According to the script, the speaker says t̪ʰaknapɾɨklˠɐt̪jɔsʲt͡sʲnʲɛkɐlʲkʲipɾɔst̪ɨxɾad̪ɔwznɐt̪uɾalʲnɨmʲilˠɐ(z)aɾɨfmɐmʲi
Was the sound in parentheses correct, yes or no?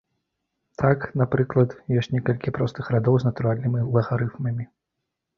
no